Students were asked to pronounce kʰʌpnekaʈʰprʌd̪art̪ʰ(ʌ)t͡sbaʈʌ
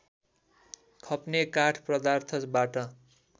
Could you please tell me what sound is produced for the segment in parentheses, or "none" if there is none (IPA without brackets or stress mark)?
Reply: ʌ